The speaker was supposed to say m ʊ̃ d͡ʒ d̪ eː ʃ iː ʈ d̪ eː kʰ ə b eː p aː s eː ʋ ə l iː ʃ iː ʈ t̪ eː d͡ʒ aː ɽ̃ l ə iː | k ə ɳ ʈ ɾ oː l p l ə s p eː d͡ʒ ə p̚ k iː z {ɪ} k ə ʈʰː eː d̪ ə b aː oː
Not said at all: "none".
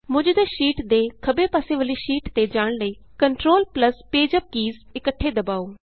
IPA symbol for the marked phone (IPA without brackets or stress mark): ɪ